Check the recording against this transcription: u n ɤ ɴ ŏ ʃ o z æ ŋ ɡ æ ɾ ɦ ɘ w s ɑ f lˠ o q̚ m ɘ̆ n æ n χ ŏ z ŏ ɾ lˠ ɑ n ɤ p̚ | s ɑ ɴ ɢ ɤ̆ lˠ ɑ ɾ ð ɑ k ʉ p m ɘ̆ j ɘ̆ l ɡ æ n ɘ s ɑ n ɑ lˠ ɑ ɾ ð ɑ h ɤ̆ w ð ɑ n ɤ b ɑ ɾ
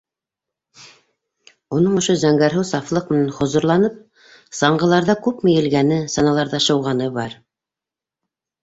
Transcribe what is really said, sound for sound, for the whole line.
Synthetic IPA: u n ɤ ɴ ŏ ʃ o z æ ŋ ɡ æ ɾ ɦ ɘ w s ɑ f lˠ ɤ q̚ m ɘ̆ n æ n χ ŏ z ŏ ɾ lˠ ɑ n ɤ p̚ | s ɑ ɴ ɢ ɤ̆ lˠ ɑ ɾ ð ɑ k ʉ p m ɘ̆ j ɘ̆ l ɡ æ n ɘ s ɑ n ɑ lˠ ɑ ɾ ð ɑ ʃ ɤ̆ w ʁ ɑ n ɤ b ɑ ɾ